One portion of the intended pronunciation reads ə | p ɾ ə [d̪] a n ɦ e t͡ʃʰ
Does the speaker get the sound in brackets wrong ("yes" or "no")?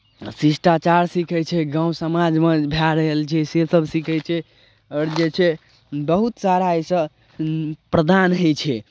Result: no